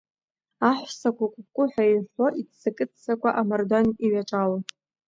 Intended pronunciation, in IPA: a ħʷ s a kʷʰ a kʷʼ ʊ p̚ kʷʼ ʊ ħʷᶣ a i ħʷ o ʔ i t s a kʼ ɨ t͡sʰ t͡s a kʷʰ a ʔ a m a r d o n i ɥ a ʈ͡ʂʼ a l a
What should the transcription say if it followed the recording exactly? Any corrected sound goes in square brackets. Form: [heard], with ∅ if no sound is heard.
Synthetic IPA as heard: a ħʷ s a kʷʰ a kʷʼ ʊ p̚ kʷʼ ʊ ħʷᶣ a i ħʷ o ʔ i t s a kʼ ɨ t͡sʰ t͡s a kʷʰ a ʔ a m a r d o n i ɥ a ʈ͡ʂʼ a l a